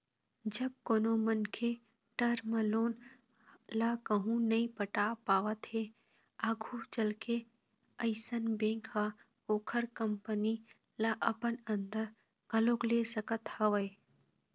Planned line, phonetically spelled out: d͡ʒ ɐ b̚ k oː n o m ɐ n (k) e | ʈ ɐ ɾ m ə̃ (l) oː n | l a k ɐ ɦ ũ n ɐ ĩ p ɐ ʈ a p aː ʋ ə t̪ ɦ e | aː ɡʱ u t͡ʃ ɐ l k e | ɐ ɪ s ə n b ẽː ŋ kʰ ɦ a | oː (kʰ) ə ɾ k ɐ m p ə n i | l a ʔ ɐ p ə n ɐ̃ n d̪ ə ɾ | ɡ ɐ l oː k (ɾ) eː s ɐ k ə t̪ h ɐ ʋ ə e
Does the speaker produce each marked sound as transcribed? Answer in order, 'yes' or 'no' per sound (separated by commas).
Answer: no, yes, yes, no